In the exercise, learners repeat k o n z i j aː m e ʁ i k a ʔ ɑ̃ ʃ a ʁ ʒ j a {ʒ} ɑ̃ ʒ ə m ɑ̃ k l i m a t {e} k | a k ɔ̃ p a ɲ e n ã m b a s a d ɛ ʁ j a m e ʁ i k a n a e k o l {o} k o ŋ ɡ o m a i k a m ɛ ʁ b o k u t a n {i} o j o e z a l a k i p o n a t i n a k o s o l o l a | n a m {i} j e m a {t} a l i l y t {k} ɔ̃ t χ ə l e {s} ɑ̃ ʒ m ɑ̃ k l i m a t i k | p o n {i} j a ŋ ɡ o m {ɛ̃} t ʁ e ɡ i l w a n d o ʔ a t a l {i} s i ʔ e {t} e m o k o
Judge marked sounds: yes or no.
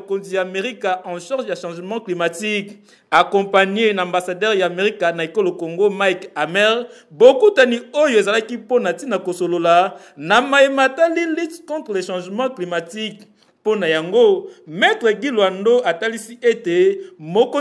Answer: no, no, yes, yes, no, yes, yes, no, no, no, yes, yes

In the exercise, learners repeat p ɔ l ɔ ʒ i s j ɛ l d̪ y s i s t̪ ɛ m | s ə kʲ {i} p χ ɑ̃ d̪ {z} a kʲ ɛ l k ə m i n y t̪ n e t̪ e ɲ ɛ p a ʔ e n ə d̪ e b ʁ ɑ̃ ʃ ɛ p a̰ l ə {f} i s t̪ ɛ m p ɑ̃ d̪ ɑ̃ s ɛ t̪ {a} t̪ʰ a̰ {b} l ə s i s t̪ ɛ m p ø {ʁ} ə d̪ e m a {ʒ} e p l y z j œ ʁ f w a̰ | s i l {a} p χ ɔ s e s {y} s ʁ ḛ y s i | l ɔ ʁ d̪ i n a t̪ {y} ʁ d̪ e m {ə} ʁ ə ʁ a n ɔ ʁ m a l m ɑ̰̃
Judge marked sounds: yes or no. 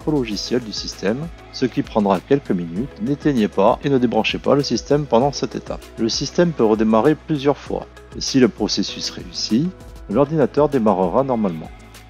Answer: yes, no, no, no, no, yes, no, no, yes, no, no

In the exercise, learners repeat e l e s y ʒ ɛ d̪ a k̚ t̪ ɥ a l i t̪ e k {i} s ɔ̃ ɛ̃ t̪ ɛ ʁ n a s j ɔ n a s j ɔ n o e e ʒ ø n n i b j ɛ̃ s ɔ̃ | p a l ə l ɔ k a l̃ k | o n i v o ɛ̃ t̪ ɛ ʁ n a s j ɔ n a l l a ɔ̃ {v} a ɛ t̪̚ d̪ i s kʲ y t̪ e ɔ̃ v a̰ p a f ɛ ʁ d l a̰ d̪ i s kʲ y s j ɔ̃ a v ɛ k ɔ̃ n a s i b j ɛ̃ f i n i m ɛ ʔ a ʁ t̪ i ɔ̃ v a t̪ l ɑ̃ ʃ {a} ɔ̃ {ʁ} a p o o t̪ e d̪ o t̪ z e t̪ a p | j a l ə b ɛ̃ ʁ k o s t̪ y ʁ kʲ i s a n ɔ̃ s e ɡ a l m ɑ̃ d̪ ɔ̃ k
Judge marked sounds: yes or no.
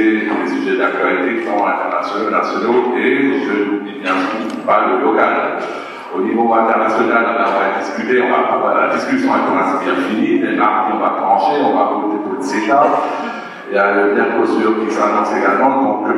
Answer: yes, yes, no, no

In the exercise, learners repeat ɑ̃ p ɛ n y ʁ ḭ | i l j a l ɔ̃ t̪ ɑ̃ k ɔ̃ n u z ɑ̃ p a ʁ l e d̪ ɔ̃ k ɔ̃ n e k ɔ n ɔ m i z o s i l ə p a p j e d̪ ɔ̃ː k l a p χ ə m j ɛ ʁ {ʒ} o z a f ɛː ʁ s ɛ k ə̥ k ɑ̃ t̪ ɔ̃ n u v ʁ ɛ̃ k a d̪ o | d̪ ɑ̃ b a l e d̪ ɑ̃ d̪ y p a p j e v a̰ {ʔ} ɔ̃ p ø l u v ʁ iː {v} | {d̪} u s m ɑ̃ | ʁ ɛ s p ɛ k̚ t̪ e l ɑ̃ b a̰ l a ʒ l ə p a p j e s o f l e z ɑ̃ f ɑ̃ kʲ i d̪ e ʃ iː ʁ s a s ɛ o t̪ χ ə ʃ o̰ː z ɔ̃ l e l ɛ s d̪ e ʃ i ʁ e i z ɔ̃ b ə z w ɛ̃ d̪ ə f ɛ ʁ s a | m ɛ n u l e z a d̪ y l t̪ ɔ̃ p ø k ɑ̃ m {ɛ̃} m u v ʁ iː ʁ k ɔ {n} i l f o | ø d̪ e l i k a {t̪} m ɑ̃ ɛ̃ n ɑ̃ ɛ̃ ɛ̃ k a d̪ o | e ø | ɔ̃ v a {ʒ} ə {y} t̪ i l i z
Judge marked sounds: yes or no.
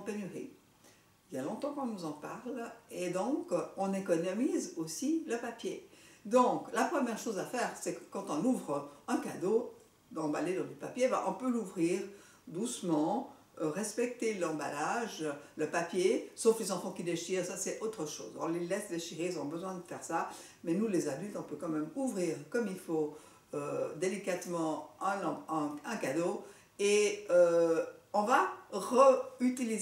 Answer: no, yes, no, yes, no, no, yes, no, yes

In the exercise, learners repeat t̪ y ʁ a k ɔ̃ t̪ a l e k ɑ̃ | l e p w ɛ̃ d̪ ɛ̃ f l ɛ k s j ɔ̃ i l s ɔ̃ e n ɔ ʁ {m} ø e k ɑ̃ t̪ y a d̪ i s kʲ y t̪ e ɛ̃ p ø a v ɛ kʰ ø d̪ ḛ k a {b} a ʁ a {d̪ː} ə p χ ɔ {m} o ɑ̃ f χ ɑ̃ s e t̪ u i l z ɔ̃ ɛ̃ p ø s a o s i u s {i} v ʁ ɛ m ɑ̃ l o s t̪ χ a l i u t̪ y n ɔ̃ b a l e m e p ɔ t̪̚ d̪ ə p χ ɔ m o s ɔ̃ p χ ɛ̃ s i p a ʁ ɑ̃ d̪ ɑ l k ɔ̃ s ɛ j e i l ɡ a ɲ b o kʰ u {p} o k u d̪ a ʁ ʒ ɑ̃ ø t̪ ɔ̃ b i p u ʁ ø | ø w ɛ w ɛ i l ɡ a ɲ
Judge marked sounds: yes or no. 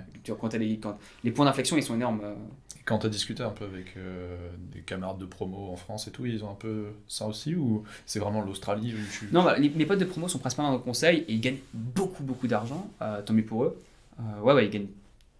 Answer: yes, no, yes, yes, no, no

